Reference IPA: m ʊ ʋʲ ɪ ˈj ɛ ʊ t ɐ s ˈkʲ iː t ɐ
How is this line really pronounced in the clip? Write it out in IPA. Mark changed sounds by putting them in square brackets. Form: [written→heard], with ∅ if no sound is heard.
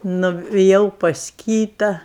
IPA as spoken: [m→n] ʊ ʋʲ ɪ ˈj ɛ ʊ [t→p] ɐ s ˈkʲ iː t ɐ